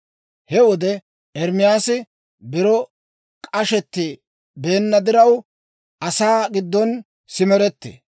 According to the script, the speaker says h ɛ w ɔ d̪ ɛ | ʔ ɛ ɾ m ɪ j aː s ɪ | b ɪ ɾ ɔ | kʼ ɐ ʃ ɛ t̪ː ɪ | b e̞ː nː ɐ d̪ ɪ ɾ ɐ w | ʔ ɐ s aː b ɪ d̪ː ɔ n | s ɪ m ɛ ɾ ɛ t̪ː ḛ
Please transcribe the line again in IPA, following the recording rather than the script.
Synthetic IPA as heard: h ɛ w ɔ d̪ ɛ | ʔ ɛ ɾ m ɪ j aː s ɪ | b ɪ ɾ ɔ | kʼ ɐ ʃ ɛ t̪ː ɪ | b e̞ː nː ɐ d̪ ɪ ɾ ɐ w | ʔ ɐ s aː ɡ ɪ d̪ː ɔ n | s ɪ m ɛ ɾ ɛ t̪ː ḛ